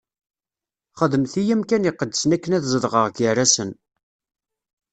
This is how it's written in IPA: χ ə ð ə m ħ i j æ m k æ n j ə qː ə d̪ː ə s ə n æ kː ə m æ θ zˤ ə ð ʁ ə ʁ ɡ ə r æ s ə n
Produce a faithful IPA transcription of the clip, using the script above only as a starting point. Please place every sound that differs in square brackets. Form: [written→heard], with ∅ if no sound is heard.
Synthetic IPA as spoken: χ ə ð ə m [ħ→θ] i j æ m k æ n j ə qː ə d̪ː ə s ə n æ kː ə [m→n] æ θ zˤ ə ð ʁ ə ʁ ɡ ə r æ s ə n